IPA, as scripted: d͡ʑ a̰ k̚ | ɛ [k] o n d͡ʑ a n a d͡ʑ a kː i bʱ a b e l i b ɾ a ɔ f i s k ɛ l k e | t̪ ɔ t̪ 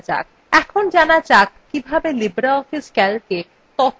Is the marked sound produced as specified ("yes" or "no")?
no